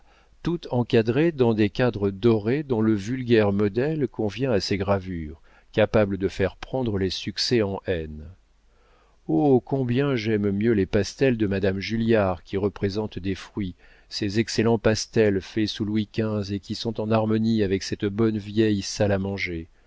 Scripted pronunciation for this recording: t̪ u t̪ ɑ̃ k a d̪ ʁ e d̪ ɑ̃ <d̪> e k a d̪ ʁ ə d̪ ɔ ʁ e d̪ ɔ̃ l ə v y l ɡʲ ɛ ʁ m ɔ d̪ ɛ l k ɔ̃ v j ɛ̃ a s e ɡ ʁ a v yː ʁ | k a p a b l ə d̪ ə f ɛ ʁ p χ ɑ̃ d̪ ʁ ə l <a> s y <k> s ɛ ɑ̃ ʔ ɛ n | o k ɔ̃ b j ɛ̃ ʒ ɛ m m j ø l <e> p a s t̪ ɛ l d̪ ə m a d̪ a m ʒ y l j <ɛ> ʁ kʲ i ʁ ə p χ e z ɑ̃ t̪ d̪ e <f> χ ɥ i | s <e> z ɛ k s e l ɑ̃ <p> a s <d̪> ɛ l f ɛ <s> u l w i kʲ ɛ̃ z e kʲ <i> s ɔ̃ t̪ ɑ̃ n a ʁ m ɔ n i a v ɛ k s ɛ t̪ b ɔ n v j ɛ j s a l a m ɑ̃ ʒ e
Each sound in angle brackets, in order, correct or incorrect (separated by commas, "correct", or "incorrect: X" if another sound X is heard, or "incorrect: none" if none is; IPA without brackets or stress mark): correct, incorrect: e, correct, correct, incorrect: a, correct, correct, correct, incorrect: t̪, correct, correct